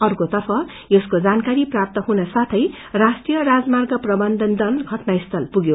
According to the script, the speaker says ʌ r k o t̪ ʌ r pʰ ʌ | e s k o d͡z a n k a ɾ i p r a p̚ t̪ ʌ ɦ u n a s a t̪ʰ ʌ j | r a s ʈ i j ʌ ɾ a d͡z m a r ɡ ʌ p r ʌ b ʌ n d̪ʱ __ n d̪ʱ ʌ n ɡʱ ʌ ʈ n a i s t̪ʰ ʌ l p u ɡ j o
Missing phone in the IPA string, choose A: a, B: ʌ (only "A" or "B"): B